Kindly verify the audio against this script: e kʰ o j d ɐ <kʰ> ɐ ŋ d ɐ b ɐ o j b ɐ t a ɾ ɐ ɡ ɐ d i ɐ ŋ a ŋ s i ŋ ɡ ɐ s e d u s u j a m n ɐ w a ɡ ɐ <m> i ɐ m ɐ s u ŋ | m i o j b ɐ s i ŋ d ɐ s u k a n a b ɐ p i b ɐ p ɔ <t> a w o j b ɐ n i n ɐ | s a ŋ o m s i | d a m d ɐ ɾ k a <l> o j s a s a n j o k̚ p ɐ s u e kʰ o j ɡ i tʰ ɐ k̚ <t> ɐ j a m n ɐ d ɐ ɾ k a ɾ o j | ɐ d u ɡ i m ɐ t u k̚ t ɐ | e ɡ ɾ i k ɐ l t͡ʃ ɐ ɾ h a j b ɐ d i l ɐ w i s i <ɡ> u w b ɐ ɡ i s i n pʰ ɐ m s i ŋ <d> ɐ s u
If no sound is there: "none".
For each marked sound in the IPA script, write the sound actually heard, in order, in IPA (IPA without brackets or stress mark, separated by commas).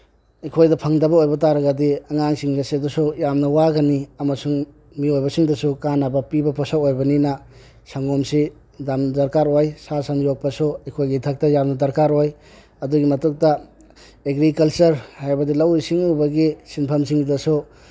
pʰ, n, s, ɾ, t, ŋ, d